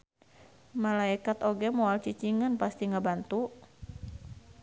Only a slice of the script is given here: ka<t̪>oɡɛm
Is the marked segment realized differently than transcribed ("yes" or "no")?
no